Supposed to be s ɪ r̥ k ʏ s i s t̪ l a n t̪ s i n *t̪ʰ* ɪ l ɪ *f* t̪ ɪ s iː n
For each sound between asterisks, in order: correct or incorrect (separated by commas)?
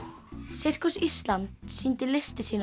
incorrect, incorrect